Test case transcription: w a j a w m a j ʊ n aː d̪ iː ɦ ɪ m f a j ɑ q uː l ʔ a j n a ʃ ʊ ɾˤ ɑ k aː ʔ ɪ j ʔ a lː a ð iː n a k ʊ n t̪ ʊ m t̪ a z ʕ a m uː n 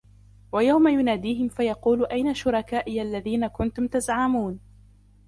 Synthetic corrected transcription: w a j a w m a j ʊ n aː d̪ iː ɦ ɪ m f a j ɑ q uː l ʔ a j n a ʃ ʊ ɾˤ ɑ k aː ʔ ɪ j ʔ a lː a ð iː n a k ʊ n t̪ ʊ m t̪ a z ʕ a m uː n